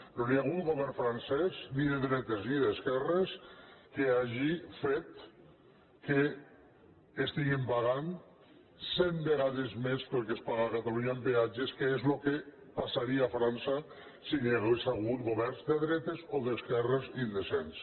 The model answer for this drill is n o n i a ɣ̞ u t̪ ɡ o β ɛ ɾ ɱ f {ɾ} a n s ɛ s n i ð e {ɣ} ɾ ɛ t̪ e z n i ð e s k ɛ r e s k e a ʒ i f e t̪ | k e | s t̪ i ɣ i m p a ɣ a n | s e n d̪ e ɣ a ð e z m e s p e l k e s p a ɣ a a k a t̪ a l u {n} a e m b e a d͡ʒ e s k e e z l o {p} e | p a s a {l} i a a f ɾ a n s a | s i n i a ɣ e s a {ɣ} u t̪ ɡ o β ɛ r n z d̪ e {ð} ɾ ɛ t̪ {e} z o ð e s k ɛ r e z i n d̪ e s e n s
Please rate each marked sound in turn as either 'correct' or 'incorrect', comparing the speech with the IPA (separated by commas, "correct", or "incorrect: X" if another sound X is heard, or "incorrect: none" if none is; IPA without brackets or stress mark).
correct, incorrect: ð, incorrect: ɲ, incorrect: k, incorrect: ɾ, correct, correct, correct